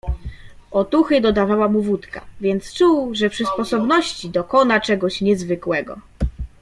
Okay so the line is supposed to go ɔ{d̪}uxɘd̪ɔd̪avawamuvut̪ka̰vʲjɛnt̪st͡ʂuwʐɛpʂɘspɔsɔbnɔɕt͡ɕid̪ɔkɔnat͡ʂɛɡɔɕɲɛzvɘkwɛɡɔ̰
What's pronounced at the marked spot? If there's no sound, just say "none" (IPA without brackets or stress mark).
t̪